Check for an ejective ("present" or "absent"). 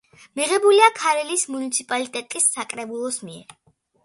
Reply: present